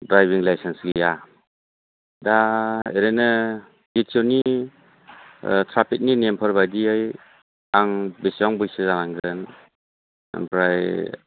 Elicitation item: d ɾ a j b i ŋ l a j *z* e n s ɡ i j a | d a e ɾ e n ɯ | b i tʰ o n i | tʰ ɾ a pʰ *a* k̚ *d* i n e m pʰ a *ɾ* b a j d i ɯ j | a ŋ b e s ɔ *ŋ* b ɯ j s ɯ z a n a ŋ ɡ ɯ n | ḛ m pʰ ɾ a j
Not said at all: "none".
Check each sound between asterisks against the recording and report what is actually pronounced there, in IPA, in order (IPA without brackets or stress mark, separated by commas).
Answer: s, i, n, ɾ, ŋ